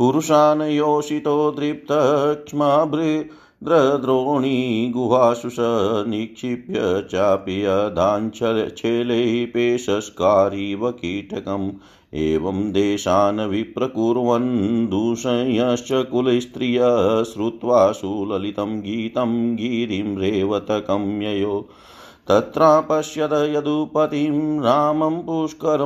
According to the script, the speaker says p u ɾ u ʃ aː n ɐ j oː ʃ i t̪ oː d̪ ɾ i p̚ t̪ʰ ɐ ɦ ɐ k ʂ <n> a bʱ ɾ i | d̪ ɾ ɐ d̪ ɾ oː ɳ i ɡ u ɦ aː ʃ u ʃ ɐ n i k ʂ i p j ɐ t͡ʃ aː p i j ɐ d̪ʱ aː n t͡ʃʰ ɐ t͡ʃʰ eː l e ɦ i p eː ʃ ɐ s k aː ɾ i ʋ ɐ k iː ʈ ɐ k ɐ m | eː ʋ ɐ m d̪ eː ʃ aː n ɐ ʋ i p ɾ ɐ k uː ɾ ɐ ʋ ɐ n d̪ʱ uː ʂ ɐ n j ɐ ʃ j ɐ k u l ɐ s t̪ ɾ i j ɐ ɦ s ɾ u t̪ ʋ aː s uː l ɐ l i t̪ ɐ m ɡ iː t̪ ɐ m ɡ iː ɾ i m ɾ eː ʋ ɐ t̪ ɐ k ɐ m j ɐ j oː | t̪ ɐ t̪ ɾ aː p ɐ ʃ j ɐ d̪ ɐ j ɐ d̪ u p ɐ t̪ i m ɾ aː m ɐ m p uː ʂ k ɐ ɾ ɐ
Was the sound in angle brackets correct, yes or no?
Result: no